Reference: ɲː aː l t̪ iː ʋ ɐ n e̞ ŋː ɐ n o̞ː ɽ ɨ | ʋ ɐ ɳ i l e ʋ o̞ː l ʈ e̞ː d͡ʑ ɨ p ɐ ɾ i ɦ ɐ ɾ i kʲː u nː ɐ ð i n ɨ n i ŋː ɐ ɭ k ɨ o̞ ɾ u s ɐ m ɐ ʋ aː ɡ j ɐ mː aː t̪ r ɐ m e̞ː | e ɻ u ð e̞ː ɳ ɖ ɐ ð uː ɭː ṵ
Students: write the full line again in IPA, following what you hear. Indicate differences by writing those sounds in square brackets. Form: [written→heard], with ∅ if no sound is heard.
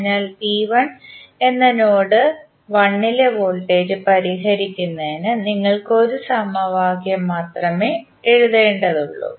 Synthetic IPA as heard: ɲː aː l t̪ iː ʋ ɐ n e̞ [ŋː→nː] ɐ n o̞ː ɽ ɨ | ʋ ɐ [ɳ→ɳː] i l e ʋ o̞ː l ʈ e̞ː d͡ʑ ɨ p ɐ ɾ i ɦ ɐ ɾ i kʲː u nː ɐ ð i n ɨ n i ŋː ɐ ɭ k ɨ o̞ ɾ u s ɐ m ɐ ʋ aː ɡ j ɐ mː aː t̪ r ɐ m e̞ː | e ɻ u ð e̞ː ɳ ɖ ɐ ð [uː→u] ɭː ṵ